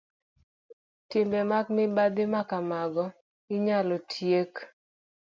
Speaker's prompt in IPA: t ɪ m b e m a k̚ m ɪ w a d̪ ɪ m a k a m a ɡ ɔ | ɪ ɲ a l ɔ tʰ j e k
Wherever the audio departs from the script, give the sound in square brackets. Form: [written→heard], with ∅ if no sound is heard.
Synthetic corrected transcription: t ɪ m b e m a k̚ m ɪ [w→b] a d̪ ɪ m a k a m a ɡ ɔ | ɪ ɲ a l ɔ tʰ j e k